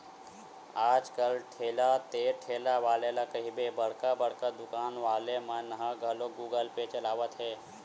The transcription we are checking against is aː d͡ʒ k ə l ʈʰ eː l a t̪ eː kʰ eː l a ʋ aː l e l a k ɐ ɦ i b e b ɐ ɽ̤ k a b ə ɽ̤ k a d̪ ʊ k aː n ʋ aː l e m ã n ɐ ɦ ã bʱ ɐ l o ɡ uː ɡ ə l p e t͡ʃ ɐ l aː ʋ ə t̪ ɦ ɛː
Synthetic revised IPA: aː d͡ʒ k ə l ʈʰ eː l a t̪ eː ʈʰ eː l a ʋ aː l e l a k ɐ ɦ i b e b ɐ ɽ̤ k a b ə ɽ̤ k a d̪ ʊ k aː n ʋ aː l e m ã n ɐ ɦ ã ɡʱ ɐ l o ɡ uː ɡ ə l p e t͡ʃ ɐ l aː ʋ ə t̪ ɦ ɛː